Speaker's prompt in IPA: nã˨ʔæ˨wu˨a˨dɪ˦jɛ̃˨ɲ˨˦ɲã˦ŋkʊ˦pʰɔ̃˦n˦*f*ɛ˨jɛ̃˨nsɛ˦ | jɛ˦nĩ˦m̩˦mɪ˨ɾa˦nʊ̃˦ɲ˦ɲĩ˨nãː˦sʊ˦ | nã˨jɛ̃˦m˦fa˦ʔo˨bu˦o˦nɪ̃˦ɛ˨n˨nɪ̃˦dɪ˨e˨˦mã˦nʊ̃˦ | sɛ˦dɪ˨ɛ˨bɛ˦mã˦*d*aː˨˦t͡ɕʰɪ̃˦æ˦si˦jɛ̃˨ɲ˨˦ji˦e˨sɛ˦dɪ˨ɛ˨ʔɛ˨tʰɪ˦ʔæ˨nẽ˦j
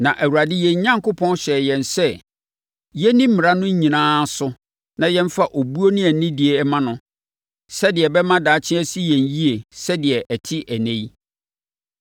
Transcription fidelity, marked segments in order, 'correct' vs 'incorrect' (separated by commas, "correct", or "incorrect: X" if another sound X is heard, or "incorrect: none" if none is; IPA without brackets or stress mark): incorrect: ɕ, correct